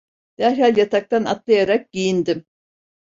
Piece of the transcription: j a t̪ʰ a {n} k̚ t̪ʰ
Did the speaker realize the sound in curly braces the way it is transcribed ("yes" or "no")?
no